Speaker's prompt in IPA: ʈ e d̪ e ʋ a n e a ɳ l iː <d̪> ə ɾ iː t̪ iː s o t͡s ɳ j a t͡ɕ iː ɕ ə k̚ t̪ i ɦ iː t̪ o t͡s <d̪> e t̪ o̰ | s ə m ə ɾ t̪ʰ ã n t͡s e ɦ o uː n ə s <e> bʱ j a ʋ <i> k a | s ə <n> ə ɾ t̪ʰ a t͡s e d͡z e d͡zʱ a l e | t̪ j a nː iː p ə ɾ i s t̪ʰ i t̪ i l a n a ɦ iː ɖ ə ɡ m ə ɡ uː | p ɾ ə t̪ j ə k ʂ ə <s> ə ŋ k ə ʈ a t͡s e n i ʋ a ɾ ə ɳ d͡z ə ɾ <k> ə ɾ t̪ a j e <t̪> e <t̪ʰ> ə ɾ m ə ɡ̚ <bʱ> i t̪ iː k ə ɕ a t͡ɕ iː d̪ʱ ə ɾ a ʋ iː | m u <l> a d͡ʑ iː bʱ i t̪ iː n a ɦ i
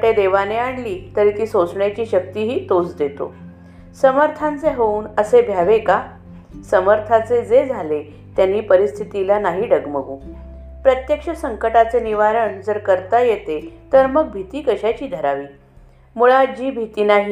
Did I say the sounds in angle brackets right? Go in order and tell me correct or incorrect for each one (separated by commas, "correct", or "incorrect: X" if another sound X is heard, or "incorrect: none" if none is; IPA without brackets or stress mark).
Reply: incorrect: t̪, correct, correct, incorrect: e, incorrect: m, correct, correct, correct, incorrect: t̪, correct, incorrect: ɭ